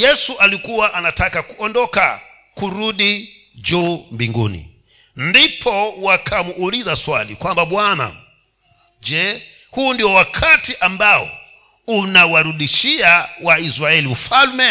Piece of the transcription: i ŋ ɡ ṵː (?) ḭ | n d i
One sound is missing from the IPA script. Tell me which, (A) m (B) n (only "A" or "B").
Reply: B